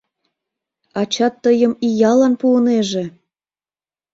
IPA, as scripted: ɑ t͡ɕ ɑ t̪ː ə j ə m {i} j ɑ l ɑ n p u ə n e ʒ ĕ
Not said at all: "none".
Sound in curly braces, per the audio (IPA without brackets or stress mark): i